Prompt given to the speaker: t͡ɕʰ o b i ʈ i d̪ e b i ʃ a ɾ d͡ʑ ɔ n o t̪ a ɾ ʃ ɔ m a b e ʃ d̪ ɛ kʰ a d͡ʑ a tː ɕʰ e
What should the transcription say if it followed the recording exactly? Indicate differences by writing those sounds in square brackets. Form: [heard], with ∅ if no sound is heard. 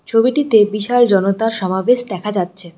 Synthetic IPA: t͡ɕʰ o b i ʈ i [t̪] e b i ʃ a [l] d͡ʑ ɔ n o t̪ a ɾ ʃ ɔ m a b e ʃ d̪ ɛ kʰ a d͡ʑ a tː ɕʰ e

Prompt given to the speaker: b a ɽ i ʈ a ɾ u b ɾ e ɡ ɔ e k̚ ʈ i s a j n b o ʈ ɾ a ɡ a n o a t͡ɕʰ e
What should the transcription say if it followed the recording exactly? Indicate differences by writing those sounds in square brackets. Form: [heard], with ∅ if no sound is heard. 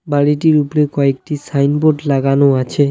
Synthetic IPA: b a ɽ i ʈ [i] ɾ u [p] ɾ e [k] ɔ e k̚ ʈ i s a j n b o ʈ [l] a ɡ a n o a t͡ɕʰ e

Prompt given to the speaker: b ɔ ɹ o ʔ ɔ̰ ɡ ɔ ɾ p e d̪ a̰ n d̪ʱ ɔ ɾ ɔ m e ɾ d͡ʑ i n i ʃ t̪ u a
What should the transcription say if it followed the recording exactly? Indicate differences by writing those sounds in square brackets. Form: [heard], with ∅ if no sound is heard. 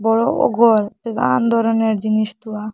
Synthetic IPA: b ɔ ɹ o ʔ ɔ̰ ɡ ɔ ɾ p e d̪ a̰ n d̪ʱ ɔ ɾ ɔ [n] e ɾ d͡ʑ i n i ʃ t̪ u a

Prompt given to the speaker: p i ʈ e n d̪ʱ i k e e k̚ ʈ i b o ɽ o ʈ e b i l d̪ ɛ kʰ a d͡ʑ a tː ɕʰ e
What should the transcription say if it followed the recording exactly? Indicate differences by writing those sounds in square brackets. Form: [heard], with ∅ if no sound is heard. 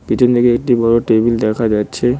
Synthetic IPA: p i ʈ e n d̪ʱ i k e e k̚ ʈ i b [ɔ] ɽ o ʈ e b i l d̪ ɛ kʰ a d͡ʑ a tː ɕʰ e

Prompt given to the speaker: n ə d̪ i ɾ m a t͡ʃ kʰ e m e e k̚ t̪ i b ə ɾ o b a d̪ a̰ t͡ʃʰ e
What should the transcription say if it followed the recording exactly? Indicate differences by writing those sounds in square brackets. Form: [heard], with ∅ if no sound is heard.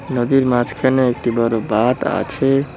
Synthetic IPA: n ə d̪ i ɾ m a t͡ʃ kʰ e [n] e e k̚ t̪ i b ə ɾ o b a [t̪] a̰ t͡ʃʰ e

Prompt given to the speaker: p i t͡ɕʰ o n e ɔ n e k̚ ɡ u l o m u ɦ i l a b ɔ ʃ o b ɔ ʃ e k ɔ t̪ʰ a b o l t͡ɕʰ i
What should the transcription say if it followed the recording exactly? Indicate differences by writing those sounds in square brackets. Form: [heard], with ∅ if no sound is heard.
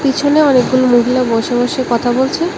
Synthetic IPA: p i t͡ɕʰ o n e ɔ n e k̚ ɡ u l o m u ɦ i l a b ɔ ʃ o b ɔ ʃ e k ɔ t̪ʰ a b o l t͡ɕʰ [e]

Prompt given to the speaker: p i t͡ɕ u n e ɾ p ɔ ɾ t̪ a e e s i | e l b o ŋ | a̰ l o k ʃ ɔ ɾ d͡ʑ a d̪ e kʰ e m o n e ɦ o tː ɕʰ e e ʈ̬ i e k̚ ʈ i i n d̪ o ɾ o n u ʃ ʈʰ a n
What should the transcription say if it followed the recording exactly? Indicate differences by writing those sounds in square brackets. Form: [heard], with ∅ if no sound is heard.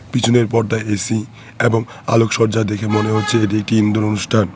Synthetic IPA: p i [t͡ɕʰ] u n e ɾ p ɔ ɾ [d̪] a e e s i | e [∅] b o ŋ | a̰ l o k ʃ ɔ ɾ d͡ʑ a d̪ e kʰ e m o n e ɦ o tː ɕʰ e e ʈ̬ i e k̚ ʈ i i n d̪ o ɾ o n u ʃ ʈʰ a n

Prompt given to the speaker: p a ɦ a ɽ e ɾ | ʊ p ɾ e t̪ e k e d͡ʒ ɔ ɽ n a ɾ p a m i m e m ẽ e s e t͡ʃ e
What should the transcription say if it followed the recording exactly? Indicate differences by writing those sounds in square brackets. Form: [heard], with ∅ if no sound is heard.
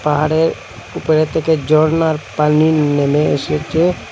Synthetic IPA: p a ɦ a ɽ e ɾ | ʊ p ɾ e t̪ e k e d͡ʒ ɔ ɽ n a ɾ p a [n] i [n] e m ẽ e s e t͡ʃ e

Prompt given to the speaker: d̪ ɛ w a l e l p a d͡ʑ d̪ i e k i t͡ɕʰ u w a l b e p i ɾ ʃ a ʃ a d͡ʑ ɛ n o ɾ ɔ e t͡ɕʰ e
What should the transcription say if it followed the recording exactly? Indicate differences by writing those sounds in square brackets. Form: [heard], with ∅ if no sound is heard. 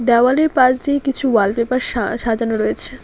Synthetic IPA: d̪ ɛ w a l e [ɾ] p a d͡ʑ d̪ i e k i t͡ɕʰ u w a l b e p [a] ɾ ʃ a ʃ a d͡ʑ [a] n o ɾ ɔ e t͡ɕʰ e

